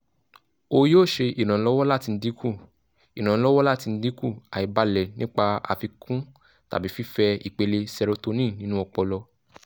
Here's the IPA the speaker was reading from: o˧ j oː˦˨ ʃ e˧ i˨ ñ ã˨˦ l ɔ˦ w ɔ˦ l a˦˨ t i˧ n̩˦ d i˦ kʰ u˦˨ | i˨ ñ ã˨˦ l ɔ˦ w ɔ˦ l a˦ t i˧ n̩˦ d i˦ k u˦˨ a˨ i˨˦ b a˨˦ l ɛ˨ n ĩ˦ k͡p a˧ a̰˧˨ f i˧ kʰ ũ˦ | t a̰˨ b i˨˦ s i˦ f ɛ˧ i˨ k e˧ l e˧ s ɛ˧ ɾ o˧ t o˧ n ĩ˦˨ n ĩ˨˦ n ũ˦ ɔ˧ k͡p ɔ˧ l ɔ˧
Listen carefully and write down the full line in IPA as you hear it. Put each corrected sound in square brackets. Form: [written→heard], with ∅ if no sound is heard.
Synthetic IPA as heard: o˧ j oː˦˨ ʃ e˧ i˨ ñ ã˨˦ l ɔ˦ w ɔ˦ l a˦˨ t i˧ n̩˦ d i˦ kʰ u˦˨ | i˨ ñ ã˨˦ l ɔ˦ w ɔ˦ l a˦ t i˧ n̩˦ d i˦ k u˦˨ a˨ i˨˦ b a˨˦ l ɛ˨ n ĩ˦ k͡p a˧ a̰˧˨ f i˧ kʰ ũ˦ | t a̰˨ b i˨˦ [s→f] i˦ f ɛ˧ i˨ [k→k͡p] e˧ l e˧ s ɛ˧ ɾ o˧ t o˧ n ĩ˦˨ n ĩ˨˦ n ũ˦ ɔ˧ k͡p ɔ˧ l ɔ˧